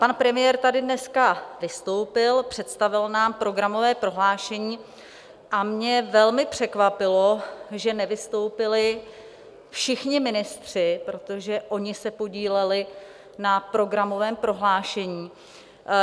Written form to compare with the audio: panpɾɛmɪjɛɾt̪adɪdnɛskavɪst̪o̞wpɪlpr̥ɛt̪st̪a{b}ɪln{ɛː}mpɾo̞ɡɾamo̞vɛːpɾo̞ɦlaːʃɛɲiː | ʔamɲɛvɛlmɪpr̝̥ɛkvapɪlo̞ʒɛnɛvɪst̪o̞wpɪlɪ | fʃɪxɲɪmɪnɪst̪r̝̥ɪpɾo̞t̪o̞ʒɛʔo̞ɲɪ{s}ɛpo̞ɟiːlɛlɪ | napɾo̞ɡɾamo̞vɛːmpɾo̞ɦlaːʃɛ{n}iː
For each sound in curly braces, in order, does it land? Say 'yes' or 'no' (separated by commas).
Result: no, no, yes, no